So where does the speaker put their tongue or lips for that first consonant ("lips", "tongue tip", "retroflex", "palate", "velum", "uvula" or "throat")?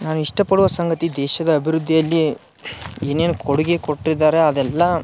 tongue tip